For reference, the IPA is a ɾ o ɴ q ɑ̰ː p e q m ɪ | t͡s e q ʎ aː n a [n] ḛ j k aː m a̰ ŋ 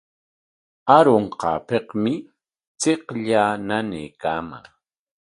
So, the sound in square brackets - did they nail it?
yes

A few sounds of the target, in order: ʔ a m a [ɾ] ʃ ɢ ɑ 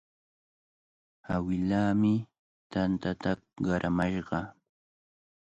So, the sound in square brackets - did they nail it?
no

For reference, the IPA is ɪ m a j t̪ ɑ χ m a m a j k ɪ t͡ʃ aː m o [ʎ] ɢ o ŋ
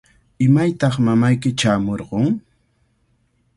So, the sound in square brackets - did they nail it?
no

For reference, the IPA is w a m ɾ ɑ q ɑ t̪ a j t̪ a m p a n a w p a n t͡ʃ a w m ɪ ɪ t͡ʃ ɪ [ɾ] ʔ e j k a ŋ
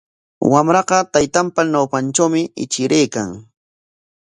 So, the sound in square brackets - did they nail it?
yes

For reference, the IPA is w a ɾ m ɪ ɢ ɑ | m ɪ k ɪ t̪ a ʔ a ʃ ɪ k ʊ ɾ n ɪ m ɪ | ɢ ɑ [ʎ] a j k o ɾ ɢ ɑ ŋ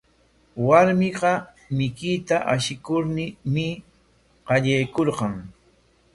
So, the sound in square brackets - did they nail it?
yes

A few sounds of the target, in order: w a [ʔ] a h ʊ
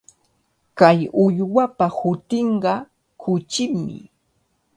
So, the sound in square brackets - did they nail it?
no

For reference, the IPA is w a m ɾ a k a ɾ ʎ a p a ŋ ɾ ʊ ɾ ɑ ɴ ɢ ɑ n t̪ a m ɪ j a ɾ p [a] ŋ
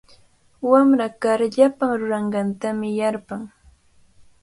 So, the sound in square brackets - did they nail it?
yes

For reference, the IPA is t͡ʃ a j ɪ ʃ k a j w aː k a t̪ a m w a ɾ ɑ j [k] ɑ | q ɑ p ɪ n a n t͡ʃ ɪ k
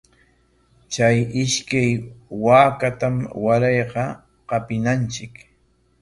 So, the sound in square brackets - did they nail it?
no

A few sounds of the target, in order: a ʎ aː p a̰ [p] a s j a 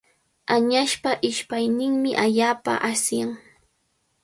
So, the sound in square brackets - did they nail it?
no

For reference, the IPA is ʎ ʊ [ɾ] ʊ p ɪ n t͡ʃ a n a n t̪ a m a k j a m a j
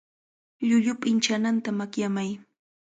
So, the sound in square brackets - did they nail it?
no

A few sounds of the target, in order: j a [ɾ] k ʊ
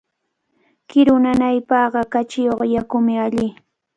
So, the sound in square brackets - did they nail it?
no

